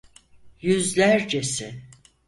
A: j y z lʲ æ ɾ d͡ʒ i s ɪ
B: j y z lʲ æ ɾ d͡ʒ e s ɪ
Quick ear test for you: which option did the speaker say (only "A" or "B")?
B